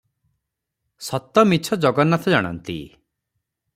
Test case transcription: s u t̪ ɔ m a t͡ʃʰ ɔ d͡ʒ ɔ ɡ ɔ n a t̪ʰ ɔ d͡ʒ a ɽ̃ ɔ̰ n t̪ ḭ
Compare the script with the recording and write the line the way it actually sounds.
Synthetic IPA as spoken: s ɔ t̪ ɔ m i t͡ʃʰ ɔ d͡ʒ ɔ ɡ ɔ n a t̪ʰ ɔ d͡ʒ a ɽ̃ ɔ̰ n t̪ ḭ